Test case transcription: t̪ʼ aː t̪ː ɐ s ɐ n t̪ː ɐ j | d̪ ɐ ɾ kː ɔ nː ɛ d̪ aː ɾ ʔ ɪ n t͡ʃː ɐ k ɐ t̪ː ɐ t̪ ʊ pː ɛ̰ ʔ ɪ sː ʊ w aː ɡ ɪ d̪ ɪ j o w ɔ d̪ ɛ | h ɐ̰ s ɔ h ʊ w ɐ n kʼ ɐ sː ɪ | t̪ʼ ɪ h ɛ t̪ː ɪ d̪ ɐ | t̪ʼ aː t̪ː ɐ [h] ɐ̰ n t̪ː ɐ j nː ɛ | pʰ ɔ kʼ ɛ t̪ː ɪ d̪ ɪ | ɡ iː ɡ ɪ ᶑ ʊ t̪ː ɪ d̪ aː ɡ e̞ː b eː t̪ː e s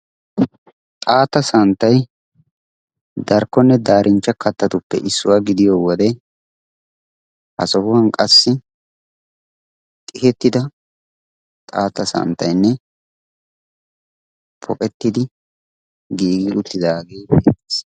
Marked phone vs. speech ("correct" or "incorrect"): incorrect